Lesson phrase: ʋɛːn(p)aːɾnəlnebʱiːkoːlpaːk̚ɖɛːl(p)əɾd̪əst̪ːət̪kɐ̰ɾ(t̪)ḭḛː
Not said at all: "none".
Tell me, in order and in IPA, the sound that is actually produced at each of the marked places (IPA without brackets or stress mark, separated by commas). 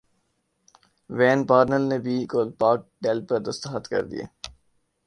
p, p, d̪